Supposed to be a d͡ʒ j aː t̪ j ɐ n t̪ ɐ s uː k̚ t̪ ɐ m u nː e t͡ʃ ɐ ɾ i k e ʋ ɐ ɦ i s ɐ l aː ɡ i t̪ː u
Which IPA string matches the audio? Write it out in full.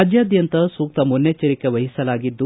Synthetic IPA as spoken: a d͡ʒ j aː d̪ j ɐ n t̪ ɐ s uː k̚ t̪ ɐ m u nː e t͡ʃ ɐ ɾ i k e ʋ ɐ ɦ i s ɐ l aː ɡ i d̪ː u